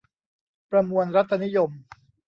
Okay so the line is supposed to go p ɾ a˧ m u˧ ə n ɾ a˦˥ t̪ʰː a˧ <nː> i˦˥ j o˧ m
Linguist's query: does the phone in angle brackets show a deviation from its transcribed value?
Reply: yes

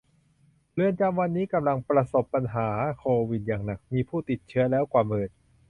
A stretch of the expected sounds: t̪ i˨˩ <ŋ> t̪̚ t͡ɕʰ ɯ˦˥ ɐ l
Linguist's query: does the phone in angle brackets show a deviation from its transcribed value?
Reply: yes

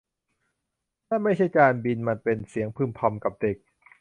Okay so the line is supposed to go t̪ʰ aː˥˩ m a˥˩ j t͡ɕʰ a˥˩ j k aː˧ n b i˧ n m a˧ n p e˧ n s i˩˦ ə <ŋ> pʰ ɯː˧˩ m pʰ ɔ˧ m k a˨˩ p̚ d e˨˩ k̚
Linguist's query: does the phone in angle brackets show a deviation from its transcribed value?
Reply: no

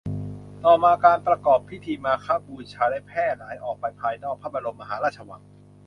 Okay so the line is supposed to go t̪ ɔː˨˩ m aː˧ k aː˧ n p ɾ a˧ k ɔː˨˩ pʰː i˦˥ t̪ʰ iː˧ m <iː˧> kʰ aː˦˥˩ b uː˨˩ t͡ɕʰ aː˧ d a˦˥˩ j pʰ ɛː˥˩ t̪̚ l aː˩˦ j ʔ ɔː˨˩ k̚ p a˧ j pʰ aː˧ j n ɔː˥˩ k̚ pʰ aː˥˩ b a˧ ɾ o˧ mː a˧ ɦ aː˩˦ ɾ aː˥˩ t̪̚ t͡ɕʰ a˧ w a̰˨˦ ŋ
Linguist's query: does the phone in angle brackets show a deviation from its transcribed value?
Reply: yes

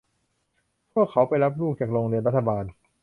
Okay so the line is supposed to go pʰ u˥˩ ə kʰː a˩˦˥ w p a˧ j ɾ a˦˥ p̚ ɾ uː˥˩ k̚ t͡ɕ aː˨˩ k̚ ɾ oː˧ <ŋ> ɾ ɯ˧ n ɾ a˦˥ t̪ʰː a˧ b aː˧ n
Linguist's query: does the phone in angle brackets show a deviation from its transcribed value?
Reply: no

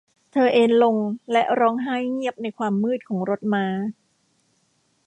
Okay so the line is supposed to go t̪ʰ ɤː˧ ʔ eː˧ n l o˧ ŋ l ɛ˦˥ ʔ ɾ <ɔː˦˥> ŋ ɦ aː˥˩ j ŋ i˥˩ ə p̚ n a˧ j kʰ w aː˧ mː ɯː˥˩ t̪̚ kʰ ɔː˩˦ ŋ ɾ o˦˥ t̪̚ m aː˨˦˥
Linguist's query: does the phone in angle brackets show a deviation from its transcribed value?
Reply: no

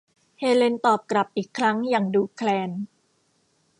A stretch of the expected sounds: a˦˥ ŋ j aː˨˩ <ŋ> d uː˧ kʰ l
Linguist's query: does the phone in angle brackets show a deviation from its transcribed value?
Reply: no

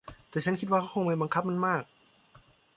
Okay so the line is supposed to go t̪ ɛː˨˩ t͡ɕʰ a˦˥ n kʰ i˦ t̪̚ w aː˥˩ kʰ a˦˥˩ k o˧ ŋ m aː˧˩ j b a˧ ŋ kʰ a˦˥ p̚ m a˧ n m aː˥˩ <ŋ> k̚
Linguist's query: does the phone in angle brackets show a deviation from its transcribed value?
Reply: yes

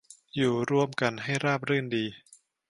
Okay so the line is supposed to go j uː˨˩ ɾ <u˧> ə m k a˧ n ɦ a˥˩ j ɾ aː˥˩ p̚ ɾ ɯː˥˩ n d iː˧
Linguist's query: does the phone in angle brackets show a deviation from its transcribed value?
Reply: no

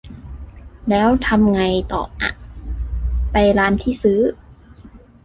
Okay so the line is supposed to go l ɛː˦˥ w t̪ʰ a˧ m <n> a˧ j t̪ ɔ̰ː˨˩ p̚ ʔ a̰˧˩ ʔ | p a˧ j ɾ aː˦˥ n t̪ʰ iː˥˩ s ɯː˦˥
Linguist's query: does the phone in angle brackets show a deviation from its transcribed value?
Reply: yes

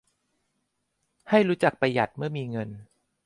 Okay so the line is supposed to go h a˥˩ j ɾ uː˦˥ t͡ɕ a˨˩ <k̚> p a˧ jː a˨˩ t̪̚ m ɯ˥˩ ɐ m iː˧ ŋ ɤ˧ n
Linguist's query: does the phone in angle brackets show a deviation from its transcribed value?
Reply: no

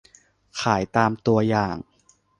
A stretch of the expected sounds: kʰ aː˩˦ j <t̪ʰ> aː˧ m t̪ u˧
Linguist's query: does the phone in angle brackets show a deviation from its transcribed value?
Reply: yes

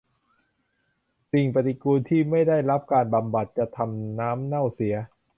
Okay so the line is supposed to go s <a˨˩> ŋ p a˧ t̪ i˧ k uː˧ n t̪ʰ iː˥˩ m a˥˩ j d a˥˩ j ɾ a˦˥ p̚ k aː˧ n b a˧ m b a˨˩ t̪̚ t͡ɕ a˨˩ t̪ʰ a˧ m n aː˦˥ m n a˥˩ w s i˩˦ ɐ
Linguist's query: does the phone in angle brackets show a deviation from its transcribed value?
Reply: yes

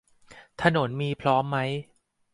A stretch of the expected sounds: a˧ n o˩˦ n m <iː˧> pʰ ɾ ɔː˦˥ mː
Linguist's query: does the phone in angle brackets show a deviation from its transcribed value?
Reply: no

